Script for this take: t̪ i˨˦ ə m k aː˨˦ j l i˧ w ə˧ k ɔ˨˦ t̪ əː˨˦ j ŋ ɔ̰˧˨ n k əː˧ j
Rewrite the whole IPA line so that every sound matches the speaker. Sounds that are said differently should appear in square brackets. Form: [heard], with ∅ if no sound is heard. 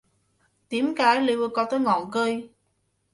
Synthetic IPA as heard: t̪ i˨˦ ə m k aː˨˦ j l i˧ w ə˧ k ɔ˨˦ t̪ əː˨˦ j ŋ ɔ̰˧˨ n k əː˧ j